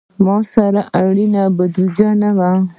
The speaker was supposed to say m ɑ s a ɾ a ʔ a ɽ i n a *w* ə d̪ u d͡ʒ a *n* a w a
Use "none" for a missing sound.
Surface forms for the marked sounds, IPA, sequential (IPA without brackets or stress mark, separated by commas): b, n